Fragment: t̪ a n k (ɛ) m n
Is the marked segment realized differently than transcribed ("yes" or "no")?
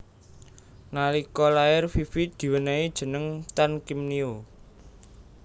yes